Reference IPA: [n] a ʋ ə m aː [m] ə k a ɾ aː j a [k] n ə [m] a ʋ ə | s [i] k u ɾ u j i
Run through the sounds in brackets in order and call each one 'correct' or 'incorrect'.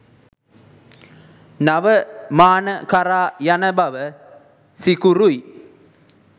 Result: correct, incorrect: n, incorrect: none, incorrect: b, correct

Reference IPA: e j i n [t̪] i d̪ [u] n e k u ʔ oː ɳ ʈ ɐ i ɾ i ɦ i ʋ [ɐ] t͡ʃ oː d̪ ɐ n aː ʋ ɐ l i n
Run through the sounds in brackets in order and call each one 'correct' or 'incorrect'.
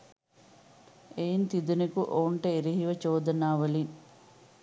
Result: correct, correct, correct

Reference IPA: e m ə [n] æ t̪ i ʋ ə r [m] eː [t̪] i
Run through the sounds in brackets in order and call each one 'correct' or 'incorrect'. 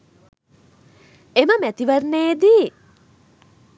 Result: incorrect: m, incorrect: n, incorrect: d̪

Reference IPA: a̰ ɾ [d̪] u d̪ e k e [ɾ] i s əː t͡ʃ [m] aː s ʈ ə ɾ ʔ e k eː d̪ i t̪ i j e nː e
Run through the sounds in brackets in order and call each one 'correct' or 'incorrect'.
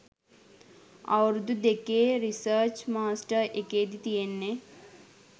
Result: correct, correct, correct

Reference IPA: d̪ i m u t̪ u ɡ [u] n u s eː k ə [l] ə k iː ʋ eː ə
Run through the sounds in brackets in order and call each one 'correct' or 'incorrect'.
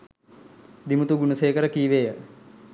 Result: correct, incorrect: ɾ

